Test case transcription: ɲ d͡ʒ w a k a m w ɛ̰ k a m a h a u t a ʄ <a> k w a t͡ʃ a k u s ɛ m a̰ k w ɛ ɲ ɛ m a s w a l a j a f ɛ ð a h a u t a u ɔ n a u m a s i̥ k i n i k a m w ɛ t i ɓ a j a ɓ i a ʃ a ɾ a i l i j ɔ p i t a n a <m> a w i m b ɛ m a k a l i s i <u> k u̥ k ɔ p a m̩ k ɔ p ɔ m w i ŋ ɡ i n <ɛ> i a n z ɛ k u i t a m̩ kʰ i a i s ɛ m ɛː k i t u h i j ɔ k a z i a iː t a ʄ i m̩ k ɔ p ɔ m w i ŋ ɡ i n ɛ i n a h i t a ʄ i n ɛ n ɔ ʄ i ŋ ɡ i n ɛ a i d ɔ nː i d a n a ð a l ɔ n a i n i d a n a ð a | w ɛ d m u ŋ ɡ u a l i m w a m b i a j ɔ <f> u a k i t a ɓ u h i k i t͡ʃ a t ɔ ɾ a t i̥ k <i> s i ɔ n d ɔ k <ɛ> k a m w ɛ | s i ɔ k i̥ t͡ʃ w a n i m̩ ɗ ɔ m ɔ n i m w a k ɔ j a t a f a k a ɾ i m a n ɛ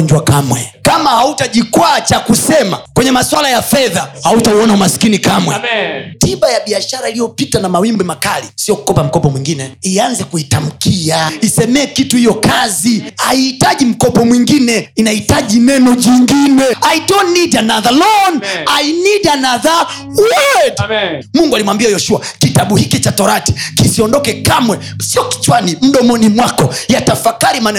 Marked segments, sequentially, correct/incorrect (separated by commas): incorrect, correct, incorrect, correct, incorrect, correct, correct